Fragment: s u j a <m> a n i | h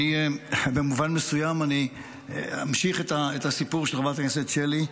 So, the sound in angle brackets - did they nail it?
yes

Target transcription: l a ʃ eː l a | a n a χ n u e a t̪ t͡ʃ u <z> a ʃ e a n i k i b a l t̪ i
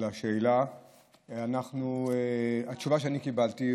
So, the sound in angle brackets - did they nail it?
no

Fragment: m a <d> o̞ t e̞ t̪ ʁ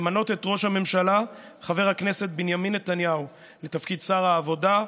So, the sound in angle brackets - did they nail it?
no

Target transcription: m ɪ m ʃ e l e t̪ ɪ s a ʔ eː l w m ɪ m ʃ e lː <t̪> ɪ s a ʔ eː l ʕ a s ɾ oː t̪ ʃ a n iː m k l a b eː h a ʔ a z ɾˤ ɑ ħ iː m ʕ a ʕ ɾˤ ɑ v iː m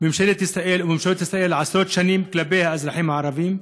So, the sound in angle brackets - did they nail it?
yes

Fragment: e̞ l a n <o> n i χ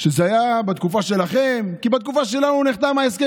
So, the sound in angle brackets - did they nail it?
no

